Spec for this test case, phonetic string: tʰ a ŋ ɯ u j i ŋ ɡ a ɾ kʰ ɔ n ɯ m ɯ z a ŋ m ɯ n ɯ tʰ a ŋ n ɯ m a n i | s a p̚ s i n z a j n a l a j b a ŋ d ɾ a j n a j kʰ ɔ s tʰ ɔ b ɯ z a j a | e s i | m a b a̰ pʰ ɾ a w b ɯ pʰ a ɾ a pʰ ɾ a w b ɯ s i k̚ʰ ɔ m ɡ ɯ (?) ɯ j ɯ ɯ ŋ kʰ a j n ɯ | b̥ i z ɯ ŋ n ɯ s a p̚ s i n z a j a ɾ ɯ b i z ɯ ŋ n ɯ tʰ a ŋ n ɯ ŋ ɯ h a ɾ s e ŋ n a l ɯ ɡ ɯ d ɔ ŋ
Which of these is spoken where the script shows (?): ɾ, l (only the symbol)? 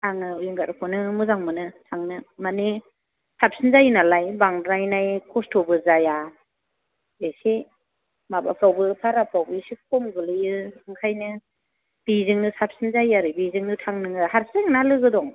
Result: l